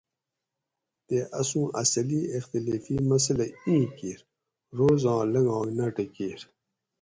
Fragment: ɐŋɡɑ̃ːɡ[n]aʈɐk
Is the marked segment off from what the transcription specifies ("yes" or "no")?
no